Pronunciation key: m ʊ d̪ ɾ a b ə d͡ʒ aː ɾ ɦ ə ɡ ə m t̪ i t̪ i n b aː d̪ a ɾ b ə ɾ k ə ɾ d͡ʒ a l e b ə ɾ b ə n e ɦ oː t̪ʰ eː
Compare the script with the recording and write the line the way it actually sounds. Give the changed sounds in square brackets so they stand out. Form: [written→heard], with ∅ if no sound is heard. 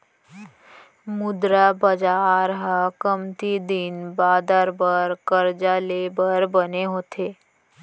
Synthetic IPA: m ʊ d̪ ɾ a b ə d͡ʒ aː ɾ ɦ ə [ɡ→k] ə m t̪ i [t̪→d̪] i n b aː d̪ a ɾ b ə ɾ k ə ɾ d͡ʒ a l e b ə ɾ b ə n e ɦ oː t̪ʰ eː